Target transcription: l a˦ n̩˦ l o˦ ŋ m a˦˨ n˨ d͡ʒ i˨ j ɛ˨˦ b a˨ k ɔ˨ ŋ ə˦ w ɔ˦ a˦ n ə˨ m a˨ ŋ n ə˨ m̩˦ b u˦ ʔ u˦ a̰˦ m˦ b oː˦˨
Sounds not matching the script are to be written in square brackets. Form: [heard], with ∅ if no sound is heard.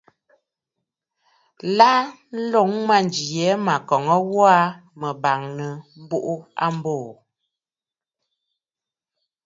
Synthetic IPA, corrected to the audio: l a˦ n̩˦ l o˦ ŋ m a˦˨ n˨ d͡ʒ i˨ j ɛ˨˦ [m] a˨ k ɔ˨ ŋ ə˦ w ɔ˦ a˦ [m] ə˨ [b] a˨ ŋ n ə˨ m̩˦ b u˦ ʔ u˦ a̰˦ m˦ b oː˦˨